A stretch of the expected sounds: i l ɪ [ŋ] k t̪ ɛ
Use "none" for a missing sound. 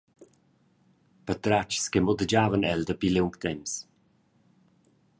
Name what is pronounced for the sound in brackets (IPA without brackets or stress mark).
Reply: ŋ